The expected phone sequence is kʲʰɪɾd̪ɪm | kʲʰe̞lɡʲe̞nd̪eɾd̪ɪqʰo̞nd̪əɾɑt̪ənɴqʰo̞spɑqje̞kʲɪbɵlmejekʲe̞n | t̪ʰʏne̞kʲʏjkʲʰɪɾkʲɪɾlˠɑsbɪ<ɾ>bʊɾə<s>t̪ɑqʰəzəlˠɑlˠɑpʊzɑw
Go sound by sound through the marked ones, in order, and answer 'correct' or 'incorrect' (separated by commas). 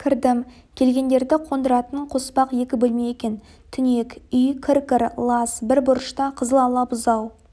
correct, incorrect